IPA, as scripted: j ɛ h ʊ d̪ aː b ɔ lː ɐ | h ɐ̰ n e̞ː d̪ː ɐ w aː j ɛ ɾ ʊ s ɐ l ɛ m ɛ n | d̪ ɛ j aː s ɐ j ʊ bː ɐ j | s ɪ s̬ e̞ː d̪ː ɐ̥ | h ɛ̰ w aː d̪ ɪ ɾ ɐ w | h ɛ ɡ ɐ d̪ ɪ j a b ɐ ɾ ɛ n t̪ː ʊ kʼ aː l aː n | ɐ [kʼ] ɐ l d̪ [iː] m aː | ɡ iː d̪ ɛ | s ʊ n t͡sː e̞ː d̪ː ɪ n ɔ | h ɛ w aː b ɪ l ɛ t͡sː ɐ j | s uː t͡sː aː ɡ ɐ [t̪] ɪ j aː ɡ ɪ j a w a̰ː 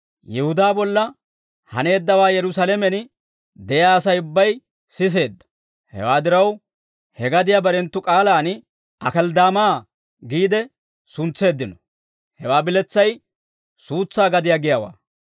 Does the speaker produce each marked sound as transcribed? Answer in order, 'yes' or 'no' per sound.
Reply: no, no, no

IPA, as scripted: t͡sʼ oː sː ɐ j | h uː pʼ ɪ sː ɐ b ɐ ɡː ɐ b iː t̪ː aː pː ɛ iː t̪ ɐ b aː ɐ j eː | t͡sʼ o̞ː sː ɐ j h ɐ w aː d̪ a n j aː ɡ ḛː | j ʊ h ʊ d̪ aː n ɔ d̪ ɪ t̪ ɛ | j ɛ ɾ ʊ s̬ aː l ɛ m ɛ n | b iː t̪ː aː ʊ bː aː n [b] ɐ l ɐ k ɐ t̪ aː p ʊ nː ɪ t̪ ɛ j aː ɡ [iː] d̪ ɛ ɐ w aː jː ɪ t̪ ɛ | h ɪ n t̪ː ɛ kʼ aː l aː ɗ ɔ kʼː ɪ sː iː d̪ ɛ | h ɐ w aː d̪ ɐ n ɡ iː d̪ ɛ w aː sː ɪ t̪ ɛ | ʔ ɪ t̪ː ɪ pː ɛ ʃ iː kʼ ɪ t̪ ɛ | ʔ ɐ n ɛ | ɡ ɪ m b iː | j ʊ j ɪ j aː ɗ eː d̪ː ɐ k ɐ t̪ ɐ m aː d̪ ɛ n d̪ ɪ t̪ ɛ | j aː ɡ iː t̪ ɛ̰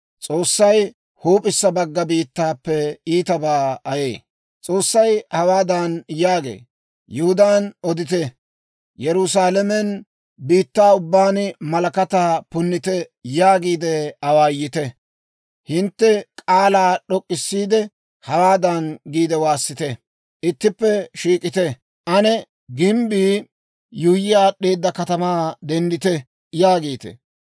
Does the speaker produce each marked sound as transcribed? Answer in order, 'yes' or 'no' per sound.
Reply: no, yes

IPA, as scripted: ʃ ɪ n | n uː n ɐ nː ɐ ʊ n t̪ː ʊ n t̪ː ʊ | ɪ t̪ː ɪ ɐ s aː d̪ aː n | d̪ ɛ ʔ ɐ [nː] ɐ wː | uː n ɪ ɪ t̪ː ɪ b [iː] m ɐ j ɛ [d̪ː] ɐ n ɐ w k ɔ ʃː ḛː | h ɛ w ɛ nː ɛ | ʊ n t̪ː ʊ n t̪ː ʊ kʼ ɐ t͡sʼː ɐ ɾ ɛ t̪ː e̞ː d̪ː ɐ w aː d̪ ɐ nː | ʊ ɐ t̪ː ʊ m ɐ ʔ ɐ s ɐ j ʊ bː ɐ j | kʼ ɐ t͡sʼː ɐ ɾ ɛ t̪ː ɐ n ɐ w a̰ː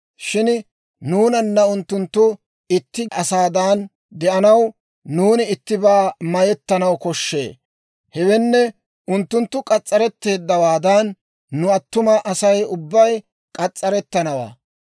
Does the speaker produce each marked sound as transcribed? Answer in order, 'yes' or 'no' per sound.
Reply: no, no, no

